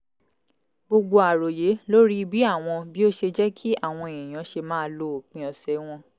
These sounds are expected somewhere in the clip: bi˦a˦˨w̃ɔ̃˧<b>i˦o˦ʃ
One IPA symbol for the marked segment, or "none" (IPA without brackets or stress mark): b